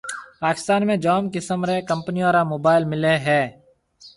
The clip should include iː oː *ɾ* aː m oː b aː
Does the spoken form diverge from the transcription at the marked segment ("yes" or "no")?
no